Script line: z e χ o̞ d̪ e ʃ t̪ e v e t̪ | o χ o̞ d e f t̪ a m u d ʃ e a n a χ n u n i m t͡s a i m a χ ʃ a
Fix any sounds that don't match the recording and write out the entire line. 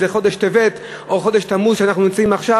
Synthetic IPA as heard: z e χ o̞ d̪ e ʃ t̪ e v e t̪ | o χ o̞ d e ʃ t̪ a m u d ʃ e a n a χ n u n i m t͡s a i m a χ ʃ a